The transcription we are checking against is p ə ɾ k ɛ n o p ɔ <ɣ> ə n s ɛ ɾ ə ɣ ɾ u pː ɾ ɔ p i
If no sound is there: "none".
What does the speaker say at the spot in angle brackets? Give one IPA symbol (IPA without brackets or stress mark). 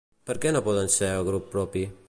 ð